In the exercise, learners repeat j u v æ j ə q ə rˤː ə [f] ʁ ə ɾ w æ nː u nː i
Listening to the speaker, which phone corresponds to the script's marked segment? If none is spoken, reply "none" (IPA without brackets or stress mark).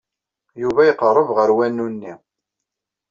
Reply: v